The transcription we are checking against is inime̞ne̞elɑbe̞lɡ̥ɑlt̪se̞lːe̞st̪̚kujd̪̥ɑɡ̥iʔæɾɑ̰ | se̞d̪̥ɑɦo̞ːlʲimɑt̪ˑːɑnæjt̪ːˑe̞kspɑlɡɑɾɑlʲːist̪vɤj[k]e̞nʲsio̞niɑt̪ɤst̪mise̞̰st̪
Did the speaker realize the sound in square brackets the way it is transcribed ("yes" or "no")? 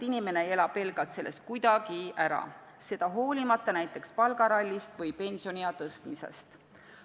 no